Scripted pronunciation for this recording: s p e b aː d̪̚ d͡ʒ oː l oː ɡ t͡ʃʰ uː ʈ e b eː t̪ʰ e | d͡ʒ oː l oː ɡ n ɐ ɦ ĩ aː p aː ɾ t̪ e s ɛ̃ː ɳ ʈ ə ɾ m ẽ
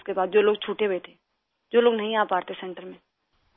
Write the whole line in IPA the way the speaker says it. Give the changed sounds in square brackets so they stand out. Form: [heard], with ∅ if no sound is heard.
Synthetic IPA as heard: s [k] e b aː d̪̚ d͡ʒ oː l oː ɡ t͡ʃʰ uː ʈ e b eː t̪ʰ e | d͡ʒ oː l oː ɡ n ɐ ɦ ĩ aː p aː ɾ t̪ e s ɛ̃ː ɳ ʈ ə ɾ m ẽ